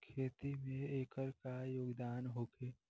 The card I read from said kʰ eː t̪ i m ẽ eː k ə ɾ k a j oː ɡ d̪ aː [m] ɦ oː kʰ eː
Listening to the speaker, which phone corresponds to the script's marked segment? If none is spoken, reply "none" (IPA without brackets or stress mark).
n